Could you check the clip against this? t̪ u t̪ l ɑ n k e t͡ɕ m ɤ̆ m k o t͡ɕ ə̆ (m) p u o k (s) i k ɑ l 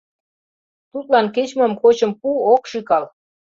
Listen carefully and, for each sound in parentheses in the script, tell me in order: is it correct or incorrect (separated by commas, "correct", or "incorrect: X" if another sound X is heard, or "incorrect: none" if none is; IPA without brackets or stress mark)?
correct, incorrect: ʃ